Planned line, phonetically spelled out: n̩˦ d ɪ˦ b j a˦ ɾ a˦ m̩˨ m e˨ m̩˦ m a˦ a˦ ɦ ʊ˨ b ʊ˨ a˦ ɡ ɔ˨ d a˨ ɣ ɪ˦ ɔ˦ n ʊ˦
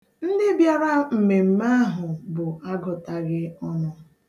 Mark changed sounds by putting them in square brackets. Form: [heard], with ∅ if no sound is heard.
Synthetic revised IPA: n̩˦ d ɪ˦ b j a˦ ɾ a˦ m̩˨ m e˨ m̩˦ m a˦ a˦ ɦ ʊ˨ b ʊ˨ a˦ ɡ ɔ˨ [t] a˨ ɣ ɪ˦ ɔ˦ n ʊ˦